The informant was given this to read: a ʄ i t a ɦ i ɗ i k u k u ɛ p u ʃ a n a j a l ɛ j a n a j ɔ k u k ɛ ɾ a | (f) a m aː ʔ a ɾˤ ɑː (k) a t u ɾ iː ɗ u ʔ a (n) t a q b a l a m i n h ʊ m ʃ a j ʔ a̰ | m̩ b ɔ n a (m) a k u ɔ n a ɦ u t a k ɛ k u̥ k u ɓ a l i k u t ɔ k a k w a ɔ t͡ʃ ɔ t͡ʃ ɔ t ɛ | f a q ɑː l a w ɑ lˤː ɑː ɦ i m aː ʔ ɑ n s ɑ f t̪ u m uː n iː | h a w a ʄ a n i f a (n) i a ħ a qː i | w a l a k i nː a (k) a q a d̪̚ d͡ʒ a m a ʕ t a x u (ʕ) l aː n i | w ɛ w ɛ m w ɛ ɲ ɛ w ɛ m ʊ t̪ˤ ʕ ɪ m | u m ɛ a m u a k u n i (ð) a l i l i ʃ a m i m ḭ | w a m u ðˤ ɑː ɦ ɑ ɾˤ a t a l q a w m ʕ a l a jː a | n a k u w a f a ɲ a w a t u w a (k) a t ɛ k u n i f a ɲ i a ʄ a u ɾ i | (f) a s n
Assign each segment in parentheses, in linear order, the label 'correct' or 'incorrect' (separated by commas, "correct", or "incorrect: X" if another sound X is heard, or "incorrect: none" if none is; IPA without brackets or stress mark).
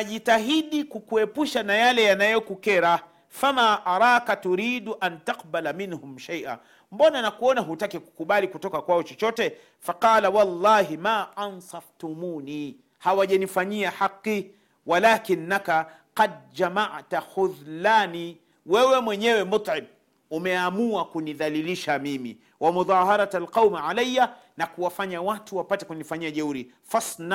correct, correct, correct, incorrect: n, incorrect: ɲ, correct, incorrect: ð, correct, incorrect: p, correct